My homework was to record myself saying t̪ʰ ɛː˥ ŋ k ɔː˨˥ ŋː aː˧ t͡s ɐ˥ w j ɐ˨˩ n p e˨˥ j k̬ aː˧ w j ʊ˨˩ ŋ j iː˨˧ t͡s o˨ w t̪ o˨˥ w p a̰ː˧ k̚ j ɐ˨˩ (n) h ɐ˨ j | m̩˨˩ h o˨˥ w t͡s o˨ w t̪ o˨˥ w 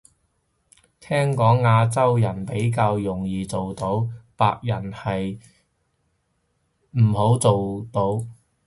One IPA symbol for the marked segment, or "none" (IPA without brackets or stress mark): n